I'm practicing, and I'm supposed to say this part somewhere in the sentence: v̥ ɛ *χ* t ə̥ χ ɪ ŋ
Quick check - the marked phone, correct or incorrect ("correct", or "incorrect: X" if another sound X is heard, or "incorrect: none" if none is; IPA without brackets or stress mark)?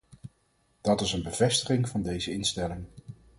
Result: incorrect: s